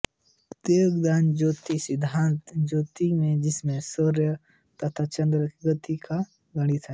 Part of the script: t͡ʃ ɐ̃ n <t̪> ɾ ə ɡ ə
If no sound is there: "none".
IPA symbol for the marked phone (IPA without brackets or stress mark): d̪